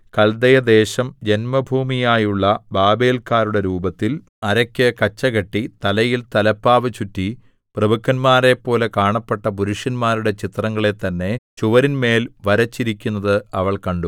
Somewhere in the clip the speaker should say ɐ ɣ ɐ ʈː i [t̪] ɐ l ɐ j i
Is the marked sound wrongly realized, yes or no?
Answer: no